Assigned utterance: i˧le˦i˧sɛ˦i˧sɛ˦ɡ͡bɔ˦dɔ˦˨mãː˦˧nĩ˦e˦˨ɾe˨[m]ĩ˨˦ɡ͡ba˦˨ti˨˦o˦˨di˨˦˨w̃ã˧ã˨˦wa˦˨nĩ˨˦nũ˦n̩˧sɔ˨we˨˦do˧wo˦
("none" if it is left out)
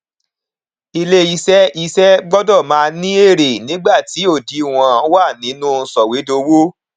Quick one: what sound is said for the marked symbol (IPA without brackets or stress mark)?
n